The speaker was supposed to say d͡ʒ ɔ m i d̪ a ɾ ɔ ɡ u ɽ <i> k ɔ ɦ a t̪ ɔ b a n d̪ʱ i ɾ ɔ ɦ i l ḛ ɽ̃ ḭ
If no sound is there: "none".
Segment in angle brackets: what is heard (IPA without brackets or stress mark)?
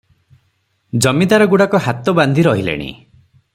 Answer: a